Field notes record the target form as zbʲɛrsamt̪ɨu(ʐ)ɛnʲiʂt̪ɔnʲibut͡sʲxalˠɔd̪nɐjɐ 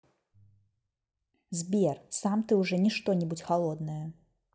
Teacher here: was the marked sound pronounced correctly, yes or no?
yes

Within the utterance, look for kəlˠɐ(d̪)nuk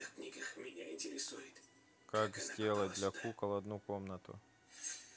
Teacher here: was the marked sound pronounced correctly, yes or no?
yes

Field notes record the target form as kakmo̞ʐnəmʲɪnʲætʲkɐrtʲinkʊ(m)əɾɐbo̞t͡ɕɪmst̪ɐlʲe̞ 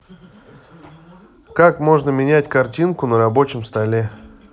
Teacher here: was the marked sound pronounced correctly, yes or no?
no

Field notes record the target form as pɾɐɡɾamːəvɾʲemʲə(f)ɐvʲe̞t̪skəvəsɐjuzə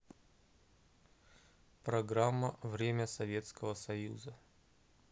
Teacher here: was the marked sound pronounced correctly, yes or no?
no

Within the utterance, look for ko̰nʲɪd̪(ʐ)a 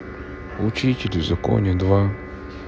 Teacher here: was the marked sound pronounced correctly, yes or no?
no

